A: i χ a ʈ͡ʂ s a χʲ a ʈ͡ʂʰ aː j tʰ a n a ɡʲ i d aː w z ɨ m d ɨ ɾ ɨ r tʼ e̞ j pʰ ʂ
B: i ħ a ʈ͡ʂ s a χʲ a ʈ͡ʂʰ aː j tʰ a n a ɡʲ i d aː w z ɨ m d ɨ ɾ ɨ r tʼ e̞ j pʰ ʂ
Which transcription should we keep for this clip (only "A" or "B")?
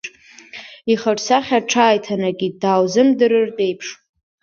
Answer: A